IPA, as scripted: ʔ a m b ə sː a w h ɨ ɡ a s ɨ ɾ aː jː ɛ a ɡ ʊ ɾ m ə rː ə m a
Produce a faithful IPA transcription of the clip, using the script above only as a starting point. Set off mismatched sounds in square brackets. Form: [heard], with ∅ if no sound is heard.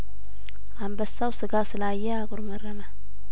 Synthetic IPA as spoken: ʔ a m b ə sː a w [s] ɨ ɡ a s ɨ [l] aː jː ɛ a ɡ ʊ ɾ m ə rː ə m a

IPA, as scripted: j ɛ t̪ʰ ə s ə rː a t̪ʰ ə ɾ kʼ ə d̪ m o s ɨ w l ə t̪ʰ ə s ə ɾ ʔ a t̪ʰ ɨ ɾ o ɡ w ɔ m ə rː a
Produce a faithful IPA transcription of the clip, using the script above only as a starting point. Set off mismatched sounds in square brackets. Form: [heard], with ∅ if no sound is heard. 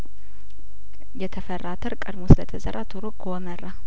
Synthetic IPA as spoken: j ɛ t̪ʰ ə [f] ə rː a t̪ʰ ə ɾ kʼ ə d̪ m o s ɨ [∅] l ə t̪ʰ ə [z] ə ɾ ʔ a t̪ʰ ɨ ɾ o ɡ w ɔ m ə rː a

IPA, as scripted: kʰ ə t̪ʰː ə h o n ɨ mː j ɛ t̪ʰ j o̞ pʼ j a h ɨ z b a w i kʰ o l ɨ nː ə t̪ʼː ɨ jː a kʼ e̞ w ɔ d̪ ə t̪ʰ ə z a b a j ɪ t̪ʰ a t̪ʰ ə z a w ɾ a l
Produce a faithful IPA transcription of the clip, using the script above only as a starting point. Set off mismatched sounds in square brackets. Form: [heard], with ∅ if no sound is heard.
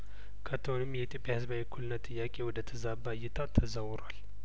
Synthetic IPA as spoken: kʰ ə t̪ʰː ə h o n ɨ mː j ɛ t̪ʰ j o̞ pʼ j a h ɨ z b a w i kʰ [u] l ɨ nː ə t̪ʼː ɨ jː a kʼ e̞ w ɔ d̪ ə t̪ʰ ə z a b a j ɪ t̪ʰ a t̪ʰ ə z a w ɾ a l

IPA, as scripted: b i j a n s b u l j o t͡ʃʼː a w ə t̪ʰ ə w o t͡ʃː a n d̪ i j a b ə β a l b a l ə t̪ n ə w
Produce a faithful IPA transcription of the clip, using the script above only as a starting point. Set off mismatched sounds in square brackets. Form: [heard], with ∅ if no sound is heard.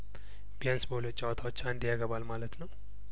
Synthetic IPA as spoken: b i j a n s b [o] l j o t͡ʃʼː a w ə t̪ʰ [a] w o t͡ʃː a n d̪ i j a [ɡ] ə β a l [m] a l ə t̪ n ə w

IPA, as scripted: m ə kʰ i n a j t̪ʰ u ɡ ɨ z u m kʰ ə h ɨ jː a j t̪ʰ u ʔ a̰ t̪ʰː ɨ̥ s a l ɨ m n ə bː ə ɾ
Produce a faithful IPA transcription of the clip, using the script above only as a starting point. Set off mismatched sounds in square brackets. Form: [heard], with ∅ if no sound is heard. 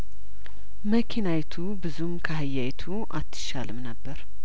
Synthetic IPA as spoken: m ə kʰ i n a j t̪ʰ u [b] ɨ z u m kʰ ə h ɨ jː a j t̪ʰ u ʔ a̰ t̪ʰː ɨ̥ [ʃ] a l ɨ m n ə bː ə ɾ

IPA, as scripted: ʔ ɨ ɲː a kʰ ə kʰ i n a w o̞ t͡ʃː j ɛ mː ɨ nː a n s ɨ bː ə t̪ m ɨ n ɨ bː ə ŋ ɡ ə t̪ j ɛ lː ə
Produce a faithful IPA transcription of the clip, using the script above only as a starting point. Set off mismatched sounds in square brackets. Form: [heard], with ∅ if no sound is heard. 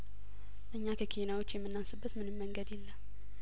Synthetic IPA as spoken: ʔ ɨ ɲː a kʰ ə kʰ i n a w o̞ t͡ʃː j ɛ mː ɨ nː a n s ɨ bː ə t̪ m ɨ n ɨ [mː] ə ŋ ɡ ə [d̪] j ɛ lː ə

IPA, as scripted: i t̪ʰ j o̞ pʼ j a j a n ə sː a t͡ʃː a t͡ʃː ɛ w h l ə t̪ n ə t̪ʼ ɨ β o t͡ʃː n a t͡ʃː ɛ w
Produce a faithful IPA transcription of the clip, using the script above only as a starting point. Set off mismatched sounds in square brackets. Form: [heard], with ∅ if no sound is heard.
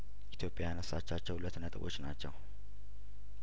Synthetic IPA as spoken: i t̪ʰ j o̞ pʼ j a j a n ə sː a t͡ʃː a t͡ʃː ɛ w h l ə t̪ n ə t̪ʼ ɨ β o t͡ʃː n a t͡ʃː ɛ w

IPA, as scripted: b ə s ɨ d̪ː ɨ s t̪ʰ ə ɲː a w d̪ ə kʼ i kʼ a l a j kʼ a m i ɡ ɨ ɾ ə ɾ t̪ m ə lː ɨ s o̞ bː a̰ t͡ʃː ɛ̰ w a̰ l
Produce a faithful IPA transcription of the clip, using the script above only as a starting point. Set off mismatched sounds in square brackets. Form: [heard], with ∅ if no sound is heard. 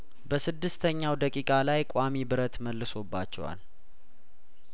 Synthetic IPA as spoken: b ə s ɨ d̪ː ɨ s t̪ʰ ə ɲː a w d̪ ə kʼ i kʼ a l a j kʼ a m i [b] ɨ ɾ ə [∅] t̪ m ə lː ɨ s o̞ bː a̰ t͡ʃː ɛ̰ w a̰ l

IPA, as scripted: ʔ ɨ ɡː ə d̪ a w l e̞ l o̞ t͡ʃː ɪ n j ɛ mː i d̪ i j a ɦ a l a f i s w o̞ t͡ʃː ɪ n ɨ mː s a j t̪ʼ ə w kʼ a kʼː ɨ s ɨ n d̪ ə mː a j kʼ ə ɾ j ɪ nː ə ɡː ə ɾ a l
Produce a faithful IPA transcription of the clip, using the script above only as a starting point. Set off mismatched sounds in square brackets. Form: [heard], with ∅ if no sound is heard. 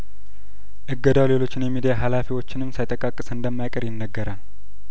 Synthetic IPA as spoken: ʔ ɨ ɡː ə d̪ a w l e̞ l o̞ t͡ʃː ɪ n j ɛ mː i d̪ i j a ɦ a l a f i [∅] w o̞ t͡ʃː ɪ n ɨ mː s a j t̪ʼ ə [∅] kʼ a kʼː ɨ s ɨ n d̪ ə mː a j kʼ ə ɾ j ɪ nː ə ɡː ə ɾ a l

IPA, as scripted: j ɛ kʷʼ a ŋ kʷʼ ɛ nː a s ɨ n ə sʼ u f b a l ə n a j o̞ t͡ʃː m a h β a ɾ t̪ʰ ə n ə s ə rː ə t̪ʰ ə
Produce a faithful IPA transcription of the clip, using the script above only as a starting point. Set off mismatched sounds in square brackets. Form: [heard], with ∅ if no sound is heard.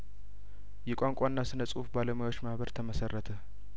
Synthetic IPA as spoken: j ɛ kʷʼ a ŋ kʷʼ [a] nː a s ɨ n ə sʼ u f b a l ə [m] a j o̞ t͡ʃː m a h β [ə] ɾ t̪ʰ ə [m] ə s ə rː ə t̪ʰ ə

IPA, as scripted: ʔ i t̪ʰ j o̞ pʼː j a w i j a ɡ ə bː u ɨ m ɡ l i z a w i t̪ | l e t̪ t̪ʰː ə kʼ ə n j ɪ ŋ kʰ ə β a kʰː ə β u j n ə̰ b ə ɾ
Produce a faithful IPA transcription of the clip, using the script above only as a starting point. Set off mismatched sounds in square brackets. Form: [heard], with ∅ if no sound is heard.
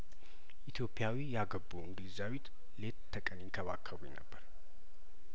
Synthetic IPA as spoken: ʔ i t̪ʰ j o̞ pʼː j a w i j a ɡ ə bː u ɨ [ŋ] ɡ l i z a w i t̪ | l e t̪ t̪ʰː ə kʼ ə n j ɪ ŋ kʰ ə β a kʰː ə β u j n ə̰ [bː] ə ɾ

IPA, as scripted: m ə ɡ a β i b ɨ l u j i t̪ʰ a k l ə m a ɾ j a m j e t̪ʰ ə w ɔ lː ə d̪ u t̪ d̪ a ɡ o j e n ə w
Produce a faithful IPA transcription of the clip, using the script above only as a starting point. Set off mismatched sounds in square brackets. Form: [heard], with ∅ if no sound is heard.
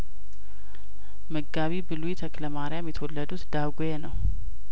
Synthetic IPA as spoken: m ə ɡ a β i b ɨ l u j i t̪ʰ [ə] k l ə m a ɾ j a m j [ɛ] t̪ʰ ə w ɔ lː ə d̪ u t̪ d̪ a ɡ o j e n ə w

